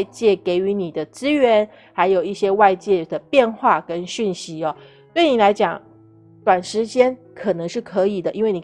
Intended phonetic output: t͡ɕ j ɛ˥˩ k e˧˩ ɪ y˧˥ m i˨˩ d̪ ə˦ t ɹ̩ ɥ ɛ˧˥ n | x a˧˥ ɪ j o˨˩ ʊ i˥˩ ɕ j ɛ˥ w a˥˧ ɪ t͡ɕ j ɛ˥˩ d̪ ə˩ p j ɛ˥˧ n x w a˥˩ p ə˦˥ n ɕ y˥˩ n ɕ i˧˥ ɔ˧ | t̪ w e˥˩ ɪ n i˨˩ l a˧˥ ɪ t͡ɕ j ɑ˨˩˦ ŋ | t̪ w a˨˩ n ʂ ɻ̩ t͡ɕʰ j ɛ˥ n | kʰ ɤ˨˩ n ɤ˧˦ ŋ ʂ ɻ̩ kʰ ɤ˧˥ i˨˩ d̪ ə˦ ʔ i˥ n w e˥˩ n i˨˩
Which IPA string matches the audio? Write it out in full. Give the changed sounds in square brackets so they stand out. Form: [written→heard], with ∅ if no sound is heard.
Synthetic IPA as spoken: t͡ɕ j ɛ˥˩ k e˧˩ ɪ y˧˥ [m→n] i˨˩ d̪ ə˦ [t→t͡s] ɹ̩ ɥ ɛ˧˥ n | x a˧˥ ɪ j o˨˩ ʊ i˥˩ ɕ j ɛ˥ w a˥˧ ɪ t͡ɕ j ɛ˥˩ d̪ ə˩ p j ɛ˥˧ n x w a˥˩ [p→k] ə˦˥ n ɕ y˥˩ n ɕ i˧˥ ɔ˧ | t̪ w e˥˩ ɪ n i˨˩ l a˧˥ ɪ t͡ɕ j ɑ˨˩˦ ŋ | t̪ w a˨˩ n ʂ ɻ̩ [t͡ɕʰ→t͡ɕ] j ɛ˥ n | kʰ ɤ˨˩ n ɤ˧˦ ŋ ʂ ɻ̩ kʰ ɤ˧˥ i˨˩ d̪ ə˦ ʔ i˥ n w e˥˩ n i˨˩